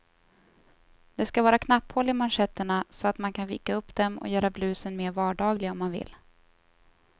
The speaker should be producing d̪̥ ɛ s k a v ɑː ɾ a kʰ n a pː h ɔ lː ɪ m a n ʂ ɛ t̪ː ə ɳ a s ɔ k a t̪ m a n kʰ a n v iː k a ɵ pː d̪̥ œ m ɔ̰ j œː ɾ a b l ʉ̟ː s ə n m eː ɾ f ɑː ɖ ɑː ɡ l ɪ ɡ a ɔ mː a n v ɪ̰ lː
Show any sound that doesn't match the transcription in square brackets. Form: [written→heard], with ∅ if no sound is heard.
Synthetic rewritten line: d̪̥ ɛ s k a v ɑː ɾ a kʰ n a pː h ɔ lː ɪ m a n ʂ ɛ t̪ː ə ɳ a s ɔ [k→∅] a t̪ m a n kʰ a n v iː k a ɵ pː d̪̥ [œ→ɛ] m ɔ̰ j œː ɾ a b l ʉ̟ː s ə n m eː ɾ [f→v] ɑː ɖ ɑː ɡ l ɪ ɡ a ɔ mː a n v ɪ̰ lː